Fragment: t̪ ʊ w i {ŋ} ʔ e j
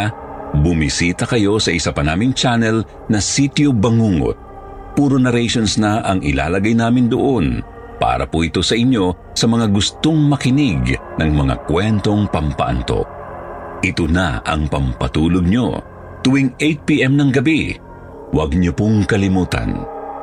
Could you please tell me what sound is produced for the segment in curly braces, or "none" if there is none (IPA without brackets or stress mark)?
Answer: ŋ